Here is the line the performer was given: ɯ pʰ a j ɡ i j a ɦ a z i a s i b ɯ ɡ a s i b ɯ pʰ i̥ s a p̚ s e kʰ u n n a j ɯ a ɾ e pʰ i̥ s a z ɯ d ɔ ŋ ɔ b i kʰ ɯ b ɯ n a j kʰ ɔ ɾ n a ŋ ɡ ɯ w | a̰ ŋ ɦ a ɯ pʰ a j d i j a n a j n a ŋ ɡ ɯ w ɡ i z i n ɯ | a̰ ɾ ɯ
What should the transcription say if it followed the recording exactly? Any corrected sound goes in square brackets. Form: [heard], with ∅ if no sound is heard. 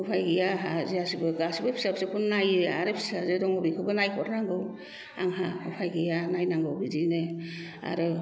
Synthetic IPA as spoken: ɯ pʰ a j ɡ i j a ɦ a z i a s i b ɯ ɡ a s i b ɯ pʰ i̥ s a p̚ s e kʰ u n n a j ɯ a ɾ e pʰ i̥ s a z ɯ d ɔ ŋ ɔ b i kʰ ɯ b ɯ n a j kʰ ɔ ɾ n a ŋ ɡ ɯ w | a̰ ŋ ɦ a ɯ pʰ a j [ɡ] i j a n a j n a ŋ ɡ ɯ w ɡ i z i n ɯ | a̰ ɾ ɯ